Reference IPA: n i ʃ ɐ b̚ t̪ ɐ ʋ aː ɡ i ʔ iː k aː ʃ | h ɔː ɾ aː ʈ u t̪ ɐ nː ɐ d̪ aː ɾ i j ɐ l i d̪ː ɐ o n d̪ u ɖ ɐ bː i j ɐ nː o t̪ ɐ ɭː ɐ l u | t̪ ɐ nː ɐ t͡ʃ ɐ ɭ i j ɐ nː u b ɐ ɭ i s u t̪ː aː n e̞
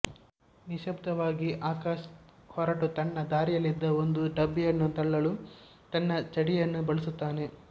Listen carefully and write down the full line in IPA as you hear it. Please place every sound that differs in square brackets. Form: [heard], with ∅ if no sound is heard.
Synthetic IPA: n i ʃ ɐ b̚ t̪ ɐ ʋ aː ɡ i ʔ [aː] k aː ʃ | h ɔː ɾ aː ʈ u t̪ ɐ nː ɐ d̪ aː ɾ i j ɐ l i d̪ː ɐ o n d̪ u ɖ ɐ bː i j ɐ nː [u] t̪ ɐ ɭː ɐ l u | t̪ ɐ nː ɐ t͡ʃ ɐ [ɽ] i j ɐ nː u b ɐ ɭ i s u t̪ː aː n e̞